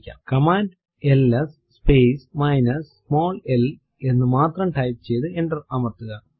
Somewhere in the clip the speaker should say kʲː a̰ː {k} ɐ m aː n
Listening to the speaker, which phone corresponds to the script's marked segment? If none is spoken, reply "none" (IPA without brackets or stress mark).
k